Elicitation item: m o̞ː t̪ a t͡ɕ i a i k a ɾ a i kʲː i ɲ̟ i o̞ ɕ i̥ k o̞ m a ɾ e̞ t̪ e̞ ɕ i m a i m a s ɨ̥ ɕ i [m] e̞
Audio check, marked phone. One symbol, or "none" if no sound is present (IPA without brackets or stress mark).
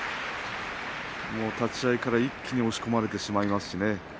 n